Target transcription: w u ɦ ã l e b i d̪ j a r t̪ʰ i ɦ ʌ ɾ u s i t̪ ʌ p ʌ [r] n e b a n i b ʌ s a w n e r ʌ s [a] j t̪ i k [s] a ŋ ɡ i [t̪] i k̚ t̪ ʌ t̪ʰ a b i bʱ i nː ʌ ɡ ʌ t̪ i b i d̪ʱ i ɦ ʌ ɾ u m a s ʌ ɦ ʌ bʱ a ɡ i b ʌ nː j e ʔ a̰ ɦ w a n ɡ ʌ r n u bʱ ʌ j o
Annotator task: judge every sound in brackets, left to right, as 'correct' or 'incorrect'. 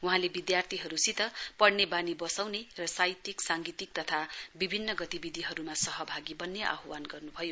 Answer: incorrect, correct, correct, correct

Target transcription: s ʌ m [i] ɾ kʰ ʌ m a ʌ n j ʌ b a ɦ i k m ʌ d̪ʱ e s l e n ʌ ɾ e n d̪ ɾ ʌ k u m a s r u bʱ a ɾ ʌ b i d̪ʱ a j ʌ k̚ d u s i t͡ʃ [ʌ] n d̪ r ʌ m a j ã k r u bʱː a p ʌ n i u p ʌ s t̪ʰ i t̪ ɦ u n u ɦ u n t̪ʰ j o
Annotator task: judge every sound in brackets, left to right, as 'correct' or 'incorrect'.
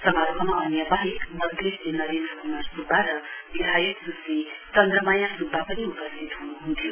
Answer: incorrect, correct

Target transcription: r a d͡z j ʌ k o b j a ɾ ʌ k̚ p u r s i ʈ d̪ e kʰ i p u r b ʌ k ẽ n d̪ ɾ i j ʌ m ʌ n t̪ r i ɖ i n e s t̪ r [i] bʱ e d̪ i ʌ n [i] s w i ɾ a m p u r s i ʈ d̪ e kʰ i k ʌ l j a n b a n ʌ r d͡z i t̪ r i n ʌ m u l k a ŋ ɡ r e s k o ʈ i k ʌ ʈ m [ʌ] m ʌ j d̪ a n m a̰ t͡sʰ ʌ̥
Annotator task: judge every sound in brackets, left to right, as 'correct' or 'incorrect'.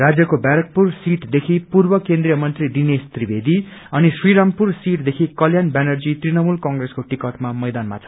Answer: correct, correct, incorrect

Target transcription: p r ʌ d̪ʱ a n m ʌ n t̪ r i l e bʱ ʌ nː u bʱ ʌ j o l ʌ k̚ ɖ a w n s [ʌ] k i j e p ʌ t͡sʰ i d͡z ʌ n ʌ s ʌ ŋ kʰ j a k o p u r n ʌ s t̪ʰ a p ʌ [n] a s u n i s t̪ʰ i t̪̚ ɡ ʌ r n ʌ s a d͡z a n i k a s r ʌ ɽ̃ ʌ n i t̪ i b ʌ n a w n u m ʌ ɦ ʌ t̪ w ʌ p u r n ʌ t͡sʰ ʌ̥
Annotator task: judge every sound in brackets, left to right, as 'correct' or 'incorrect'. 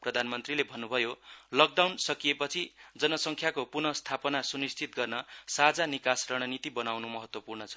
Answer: correct, correct

